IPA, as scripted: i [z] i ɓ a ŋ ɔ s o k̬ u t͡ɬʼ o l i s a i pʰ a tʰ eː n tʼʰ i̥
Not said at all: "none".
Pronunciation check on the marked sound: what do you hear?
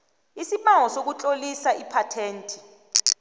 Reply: s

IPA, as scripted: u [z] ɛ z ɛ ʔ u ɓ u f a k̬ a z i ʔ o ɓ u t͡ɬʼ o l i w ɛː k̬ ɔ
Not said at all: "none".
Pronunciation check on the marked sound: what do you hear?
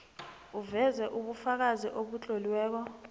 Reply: v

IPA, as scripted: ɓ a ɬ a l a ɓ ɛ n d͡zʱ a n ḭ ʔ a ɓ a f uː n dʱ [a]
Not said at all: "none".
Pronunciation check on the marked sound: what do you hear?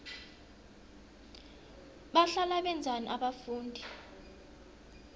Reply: i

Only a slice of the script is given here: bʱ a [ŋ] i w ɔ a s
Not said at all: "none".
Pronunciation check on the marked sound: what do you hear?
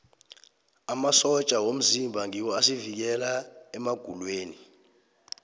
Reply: ŋ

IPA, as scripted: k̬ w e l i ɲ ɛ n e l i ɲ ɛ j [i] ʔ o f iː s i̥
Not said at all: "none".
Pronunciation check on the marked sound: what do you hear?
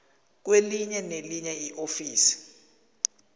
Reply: i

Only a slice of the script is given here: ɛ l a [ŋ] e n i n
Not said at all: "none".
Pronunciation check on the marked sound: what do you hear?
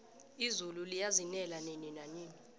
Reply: n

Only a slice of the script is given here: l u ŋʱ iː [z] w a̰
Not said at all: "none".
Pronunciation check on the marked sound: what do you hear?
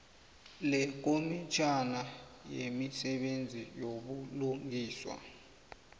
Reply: s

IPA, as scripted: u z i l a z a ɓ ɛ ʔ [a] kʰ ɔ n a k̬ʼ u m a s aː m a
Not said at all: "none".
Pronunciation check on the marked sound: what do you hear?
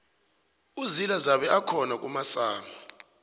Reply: a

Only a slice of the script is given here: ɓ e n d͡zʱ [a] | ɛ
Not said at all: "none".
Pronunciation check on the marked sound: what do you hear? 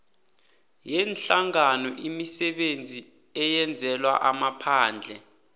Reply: i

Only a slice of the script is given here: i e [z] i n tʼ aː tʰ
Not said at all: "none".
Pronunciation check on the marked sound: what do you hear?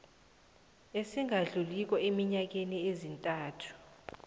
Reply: z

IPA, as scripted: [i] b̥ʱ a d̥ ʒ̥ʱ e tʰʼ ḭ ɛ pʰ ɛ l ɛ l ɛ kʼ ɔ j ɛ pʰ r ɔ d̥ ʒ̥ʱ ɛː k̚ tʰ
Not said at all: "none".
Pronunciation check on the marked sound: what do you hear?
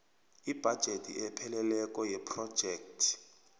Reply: i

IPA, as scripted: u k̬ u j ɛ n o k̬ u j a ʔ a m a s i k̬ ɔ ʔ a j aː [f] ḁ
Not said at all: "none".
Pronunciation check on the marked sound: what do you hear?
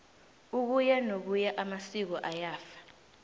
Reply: f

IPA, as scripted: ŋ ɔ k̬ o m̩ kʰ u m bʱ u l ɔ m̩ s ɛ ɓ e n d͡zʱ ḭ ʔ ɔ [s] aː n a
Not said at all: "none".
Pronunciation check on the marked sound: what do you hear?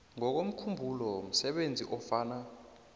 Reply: f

